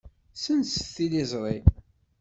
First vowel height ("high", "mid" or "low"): mid